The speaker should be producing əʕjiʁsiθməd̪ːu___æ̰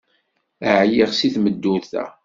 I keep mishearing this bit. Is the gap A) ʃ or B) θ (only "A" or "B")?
B